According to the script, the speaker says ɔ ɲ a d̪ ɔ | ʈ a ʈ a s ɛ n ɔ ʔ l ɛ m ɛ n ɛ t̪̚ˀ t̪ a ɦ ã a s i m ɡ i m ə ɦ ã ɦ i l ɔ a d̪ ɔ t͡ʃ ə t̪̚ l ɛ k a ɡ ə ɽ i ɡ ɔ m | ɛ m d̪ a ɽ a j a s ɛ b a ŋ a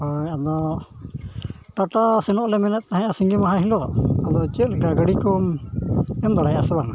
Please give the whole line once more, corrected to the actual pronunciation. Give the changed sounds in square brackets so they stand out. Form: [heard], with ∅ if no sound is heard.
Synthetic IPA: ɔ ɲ a d̪ ɔ | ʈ a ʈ a s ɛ n ɔ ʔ l ɛ m ɛ n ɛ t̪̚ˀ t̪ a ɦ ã a s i [ŋ] ɡ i m [a] ɦ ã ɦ i l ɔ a d̪ ɔ t͡ʃ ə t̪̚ l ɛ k a ɡ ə ɽ i [k] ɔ m | ɛ m d̪ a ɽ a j a s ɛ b a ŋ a